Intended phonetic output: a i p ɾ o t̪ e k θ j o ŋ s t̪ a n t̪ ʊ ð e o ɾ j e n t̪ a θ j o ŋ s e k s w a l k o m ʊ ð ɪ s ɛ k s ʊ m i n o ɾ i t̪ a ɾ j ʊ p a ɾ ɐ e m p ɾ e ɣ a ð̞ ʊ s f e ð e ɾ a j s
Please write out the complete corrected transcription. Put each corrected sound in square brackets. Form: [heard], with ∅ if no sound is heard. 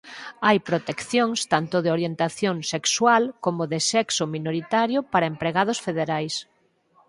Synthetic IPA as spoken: a [j] p ɾ o t̪ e k θ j o ŋ s t̪ a n t̪ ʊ ð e o ɾ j e n t̪ a θ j o ŋ s e k s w a l k o m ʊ ð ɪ s ɛ k s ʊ m i n o ɾ i t̪ a ɾ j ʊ p a ɾ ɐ e m p ɾ e ɣ a ð̞ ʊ s f e ð e ɾ a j s